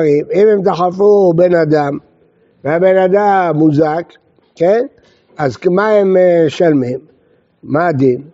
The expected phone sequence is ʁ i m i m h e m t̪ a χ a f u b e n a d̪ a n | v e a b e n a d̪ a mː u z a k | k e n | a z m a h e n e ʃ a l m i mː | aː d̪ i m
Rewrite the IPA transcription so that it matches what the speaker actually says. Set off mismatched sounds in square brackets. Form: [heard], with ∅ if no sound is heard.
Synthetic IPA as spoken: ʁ i m i m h e m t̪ a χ a f u b e n a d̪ a [m] | v e a b e n a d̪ a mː u z a k | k e n | a z m a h e [m] e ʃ a l m i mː | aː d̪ i m